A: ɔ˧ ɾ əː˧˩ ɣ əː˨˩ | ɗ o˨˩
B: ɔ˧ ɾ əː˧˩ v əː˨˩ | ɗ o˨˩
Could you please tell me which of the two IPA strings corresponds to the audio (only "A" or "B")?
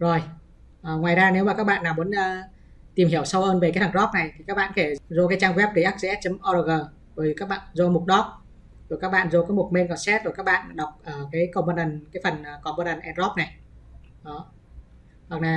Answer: A